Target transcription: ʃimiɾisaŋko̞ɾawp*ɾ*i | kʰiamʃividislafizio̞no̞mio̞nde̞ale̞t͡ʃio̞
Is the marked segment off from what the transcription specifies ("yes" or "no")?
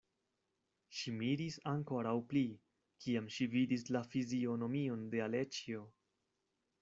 yes